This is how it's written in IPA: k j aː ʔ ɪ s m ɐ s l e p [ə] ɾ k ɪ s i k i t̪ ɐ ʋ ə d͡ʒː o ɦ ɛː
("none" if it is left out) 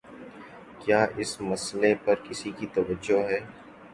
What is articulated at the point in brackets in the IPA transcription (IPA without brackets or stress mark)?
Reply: ɐ